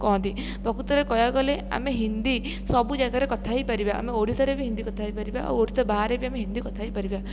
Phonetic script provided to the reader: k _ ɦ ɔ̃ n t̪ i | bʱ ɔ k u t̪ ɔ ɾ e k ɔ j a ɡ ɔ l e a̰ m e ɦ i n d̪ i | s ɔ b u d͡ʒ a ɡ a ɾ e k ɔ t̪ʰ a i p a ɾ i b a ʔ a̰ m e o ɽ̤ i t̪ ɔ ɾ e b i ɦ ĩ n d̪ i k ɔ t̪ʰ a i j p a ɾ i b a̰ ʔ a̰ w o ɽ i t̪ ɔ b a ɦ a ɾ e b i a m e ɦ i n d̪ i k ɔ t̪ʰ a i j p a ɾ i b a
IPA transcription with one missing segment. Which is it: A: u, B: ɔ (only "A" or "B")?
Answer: B